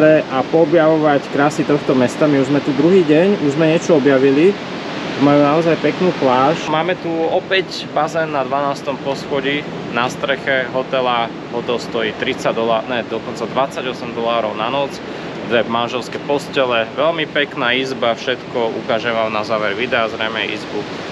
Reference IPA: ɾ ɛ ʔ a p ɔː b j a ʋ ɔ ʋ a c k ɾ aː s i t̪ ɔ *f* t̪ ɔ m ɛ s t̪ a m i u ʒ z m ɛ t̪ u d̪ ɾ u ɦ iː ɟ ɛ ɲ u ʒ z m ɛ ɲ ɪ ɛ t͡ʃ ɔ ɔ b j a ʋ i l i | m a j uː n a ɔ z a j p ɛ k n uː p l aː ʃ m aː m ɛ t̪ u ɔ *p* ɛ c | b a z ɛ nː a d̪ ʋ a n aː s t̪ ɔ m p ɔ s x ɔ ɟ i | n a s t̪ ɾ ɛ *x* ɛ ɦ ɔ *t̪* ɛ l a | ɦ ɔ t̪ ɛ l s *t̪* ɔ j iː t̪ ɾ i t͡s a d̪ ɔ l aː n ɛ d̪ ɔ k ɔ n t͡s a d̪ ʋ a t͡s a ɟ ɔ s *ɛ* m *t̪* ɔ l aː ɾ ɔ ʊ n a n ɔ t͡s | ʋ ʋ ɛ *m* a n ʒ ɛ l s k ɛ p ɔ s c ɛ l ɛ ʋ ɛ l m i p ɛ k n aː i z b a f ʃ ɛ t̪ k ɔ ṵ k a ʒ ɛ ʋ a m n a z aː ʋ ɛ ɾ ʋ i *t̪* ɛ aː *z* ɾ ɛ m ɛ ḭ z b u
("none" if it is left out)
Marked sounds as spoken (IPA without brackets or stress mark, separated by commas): x, p, x, t̪, t̪, ɛ, d̪, m, d̪, z